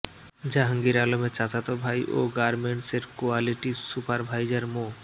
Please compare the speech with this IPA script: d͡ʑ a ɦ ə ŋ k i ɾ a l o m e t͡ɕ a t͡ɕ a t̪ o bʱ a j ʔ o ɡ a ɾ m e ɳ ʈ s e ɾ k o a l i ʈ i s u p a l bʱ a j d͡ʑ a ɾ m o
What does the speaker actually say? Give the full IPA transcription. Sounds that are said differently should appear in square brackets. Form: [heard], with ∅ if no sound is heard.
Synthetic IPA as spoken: d͡ʑ a ɦ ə ŋ [ɡ] i ɾ a l o m e t͡ɕ a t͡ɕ a t̪ o bʱ a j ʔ o ɡ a ɾ m e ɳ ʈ s e ɾ k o a l i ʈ i s u p a [ɾ] bʱ a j d͡ʑ a ɾ m o